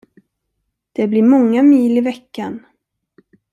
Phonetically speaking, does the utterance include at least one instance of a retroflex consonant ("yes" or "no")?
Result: no